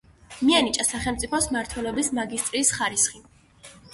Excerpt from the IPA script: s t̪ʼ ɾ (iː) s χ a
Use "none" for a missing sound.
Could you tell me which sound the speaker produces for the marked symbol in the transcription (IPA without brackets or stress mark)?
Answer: iː